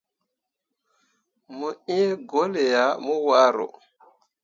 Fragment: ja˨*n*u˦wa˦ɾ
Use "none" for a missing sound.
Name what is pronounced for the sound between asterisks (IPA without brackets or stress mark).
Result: m